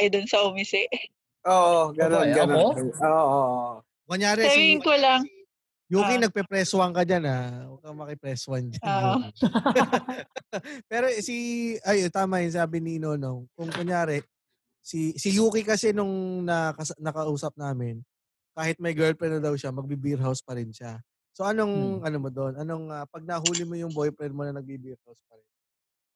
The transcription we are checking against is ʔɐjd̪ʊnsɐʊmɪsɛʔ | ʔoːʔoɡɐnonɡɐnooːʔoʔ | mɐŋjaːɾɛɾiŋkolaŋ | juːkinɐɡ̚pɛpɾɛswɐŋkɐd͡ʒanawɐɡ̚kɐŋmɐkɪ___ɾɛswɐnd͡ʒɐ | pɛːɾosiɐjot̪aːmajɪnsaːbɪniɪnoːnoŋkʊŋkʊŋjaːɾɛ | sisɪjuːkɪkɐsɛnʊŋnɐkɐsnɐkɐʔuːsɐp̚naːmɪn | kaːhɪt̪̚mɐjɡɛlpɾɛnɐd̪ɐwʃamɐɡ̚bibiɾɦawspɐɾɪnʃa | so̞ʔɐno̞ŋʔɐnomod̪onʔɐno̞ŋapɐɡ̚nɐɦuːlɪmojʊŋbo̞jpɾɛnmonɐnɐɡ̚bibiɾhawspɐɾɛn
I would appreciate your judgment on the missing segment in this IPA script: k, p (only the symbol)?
p